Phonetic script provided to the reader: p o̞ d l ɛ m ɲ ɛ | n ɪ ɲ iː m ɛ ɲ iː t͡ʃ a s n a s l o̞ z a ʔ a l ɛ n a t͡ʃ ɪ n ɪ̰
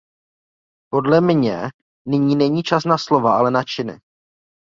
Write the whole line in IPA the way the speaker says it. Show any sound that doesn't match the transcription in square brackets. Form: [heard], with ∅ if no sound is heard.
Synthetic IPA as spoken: p o̞ d l ɛ m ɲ ɛ | n ɪ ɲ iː [n] ɛ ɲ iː t͡ʃ a s n a s l o̞ [v] a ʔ a l ɛ n a t͡ʃ ɪ n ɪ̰